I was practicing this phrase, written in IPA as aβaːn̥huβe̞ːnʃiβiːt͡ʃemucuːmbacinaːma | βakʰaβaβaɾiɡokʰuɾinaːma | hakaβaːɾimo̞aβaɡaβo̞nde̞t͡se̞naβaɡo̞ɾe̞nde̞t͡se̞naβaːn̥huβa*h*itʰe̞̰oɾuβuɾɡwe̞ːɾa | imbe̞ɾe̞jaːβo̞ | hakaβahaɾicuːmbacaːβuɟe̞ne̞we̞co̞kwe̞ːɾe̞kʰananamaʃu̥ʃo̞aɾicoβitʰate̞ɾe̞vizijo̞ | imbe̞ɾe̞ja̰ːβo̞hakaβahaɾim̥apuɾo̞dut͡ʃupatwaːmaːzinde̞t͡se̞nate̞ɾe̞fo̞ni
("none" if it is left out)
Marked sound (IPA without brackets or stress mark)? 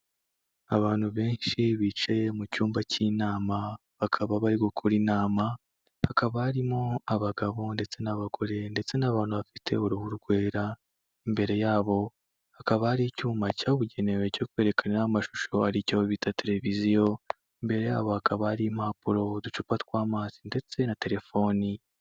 f